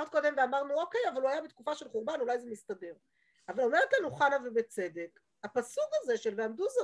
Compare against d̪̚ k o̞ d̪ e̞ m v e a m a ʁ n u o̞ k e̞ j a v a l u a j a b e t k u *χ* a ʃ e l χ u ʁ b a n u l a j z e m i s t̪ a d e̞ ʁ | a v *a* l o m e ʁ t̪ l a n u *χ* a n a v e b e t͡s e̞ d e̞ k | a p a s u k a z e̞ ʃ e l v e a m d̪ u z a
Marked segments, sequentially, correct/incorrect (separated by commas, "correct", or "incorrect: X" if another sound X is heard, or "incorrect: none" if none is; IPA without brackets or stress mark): incorrect: f, correct, correct